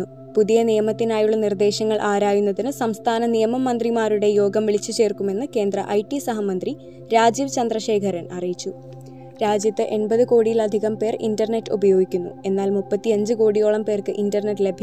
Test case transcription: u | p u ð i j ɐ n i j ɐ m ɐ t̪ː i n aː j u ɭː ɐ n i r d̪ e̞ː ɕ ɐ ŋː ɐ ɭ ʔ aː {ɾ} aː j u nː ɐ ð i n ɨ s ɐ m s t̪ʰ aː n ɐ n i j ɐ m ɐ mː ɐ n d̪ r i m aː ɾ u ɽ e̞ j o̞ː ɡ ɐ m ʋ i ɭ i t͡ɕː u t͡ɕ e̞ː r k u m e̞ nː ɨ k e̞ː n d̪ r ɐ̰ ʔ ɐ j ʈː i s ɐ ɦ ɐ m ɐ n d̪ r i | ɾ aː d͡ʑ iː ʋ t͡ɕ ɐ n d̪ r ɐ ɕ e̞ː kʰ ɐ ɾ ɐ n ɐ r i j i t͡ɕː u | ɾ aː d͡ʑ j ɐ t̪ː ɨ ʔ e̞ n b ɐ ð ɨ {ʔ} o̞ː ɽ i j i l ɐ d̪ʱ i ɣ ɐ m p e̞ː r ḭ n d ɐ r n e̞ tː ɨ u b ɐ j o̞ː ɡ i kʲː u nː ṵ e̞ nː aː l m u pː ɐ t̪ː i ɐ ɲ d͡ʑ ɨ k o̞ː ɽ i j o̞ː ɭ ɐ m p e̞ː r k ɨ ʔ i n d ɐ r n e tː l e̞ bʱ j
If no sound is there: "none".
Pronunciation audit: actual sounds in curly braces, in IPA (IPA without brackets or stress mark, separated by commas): ɾ, k